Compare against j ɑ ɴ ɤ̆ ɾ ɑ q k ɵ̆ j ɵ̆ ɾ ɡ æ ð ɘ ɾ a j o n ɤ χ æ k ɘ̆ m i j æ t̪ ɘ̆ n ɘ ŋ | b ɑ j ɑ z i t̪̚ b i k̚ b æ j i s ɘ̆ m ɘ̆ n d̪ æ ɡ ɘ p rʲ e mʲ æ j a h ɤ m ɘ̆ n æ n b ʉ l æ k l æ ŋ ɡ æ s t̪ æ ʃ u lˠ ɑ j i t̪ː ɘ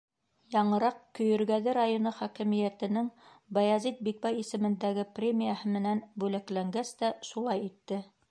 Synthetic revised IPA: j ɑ ɴ ɤ̆ ɾ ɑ q k ɵ̆ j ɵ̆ ɾ ɡ æ ð ɘ ɾ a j o n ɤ χ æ k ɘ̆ m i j æ t̪ ɘ̆ n ɘ ŋ | b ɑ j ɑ z i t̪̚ b i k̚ b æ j i s ɘ̆ m ɘ̆ n d̪ æ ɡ ɘ p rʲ e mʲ i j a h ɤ m ɘ̆ n æ n b ʉ l æ k l æ ŋ ɡ æ s t̪ æ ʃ u lˠ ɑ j i t̪ː ɘ